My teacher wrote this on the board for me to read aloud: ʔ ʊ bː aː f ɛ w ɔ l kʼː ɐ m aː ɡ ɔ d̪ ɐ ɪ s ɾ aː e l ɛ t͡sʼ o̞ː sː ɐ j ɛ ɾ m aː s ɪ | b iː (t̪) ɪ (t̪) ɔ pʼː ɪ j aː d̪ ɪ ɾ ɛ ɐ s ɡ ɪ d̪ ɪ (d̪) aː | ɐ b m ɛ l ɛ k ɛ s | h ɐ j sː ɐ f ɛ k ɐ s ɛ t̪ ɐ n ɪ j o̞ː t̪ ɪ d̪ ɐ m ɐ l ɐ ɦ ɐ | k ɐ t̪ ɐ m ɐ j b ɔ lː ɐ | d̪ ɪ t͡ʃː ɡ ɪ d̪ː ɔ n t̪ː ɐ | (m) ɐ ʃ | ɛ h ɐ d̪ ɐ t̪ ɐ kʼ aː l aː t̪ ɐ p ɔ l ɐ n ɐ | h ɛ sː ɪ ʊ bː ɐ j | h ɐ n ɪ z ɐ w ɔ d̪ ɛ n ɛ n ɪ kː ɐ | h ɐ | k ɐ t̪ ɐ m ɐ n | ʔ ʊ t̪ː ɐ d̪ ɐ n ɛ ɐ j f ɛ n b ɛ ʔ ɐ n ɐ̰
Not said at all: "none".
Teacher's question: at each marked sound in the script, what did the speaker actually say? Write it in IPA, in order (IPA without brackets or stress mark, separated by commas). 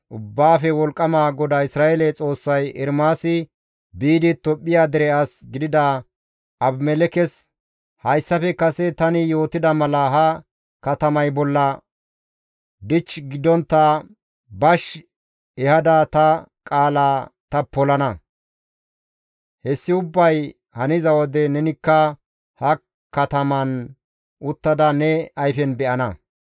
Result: d̪, t̪, d̪, b